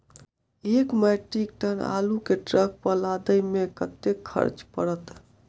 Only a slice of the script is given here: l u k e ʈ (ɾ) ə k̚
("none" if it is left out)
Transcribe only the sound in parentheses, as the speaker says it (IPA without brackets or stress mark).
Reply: ɾ